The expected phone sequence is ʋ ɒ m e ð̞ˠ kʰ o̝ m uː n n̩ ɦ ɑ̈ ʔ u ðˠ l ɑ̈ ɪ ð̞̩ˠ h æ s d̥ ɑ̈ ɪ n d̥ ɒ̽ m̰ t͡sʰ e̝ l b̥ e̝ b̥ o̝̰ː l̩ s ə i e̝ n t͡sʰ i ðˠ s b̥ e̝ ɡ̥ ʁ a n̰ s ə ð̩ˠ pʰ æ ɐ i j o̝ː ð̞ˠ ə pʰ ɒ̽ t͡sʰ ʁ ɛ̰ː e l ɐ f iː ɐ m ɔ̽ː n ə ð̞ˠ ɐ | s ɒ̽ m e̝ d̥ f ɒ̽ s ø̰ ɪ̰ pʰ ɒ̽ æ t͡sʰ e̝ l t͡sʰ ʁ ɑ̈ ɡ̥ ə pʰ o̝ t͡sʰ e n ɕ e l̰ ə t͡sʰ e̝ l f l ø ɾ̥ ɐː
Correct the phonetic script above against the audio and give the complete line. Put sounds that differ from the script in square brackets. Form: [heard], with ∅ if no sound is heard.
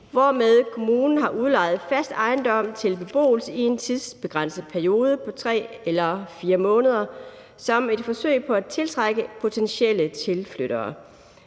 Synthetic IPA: ʋ ɒ m e ð̞ˠ kʰ o̝ m uː n n̩ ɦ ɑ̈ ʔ u ðˠ l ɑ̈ ɪ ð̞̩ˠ [f] æ s d̥ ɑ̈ ɪ n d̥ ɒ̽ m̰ t͡sʰ e̝ l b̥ e̝ b̥ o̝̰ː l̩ s ə i e̝ n t͡sʰ i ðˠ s b̥ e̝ ɡ̥ ʁ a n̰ s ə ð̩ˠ pʰ æ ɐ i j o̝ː ð̞ˠ ə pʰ ɒ̽ t͡sʰ ʁ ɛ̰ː e l ɐ f iː ɐ m ɔ̽ː n ə ð̞ˠ ɐ | s ɒ̽ m e̝ d̥ f ɒ̽ s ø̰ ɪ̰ pʰ ɒ̽ æ t͡sʰ e̝ l t͡sʰ ʁ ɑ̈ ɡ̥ ə pʰ o̝ t͡sʰ e n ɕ e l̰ ə t͡sʰ e̝ l f l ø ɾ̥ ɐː